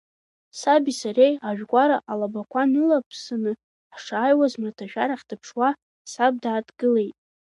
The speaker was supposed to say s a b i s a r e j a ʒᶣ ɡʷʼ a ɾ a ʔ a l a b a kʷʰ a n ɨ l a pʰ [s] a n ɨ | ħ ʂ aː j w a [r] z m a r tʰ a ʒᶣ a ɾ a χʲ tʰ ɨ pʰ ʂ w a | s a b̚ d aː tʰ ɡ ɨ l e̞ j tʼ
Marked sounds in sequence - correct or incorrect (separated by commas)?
correct, incorrect